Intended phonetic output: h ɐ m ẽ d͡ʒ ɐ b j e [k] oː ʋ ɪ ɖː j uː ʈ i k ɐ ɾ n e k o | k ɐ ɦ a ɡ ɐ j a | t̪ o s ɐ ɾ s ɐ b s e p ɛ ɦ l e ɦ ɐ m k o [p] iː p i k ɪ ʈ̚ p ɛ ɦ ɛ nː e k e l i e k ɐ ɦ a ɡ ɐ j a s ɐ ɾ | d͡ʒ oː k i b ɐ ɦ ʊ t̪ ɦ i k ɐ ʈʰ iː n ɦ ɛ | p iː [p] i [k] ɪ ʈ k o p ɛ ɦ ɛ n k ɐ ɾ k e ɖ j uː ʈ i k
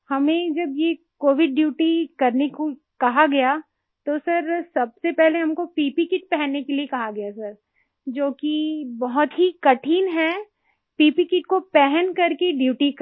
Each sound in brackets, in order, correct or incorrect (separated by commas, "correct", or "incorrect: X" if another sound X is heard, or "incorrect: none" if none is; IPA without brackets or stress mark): correct, correct, correct, correct